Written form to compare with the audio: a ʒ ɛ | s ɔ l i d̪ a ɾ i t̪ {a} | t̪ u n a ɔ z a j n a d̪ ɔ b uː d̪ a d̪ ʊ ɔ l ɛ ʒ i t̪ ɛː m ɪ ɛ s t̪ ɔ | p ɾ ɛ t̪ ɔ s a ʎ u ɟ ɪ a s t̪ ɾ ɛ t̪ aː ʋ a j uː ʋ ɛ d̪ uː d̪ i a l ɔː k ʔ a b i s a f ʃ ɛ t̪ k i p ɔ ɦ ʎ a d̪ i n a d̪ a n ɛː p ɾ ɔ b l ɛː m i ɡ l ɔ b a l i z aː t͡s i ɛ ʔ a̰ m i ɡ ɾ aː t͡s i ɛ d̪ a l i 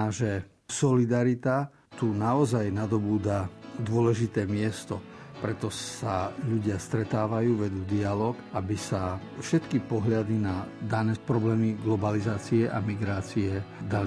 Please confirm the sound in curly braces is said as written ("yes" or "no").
yes